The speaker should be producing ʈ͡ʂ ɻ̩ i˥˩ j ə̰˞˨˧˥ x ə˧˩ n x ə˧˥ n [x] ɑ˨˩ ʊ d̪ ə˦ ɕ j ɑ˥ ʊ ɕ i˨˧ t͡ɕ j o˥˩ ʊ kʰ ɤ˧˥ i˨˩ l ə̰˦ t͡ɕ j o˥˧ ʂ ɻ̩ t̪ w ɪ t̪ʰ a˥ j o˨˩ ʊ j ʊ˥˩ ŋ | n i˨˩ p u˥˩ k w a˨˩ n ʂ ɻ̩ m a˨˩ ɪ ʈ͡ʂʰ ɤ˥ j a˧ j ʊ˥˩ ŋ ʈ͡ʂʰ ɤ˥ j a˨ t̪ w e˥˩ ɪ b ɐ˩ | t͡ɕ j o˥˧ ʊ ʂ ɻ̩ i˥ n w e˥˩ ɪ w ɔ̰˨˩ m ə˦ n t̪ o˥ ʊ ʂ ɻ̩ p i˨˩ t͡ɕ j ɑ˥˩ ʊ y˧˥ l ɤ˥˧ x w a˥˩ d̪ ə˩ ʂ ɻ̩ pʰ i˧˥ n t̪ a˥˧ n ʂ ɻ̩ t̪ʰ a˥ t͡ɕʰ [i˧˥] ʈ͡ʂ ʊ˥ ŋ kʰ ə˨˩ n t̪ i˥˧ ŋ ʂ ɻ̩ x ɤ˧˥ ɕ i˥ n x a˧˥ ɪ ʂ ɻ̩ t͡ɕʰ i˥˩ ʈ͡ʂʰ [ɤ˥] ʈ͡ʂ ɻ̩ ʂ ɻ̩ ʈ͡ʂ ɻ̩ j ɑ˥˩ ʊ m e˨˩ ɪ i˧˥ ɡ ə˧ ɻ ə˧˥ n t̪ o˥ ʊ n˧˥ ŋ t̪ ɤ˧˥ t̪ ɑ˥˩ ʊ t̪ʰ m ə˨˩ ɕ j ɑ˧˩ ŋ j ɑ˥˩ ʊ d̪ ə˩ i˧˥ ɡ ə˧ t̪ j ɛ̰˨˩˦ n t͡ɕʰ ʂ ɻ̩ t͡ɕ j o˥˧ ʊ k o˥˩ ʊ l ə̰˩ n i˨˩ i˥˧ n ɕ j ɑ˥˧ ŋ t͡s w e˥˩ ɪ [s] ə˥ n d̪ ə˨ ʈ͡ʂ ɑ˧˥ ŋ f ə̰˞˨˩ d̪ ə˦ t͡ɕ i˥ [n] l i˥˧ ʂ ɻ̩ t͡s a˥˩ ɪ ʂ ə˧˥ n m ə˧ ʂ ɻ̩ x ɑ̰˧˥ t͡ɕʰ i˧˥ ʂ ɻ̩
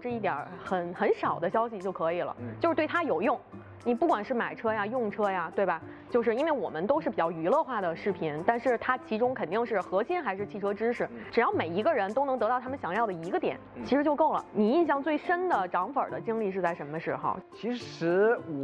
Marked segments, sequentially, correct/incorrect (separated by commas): incorrect, correct, correct, incorrect, incorrect